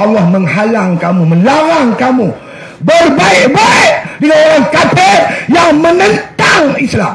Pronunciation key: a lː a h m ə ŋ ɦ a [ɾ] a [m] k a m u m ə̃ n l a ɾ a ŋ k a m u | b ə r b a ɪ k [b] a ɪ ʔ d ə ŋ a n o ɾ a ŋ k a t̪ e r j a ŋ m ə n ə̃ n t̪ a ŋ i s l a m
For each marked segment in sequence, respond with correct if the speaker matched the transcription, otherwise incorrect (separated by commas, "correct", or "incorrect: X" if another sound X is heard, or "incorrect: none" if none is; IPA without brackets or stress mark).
incorrect: l, incorrect: ŋ, correct